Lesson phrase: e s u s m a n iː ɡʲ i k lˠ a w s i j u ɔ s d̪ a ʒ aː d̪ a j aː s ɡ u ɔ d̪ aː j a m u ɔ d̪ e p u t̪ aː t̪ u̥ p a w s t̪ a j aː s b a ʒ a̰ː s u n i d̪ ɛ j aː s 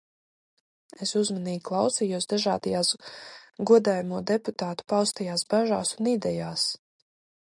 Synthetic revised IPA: e s u z m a n iː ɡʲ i k lˠ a w s i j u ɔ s d̪ a ʒ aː d̪ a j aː s ɡ u ɔ d̪ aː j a m u ɔ d̪ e p u t̪ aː t̪ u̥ p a w s t̪ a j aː s b a ʒ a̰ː s u n i d̪ ɛ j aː s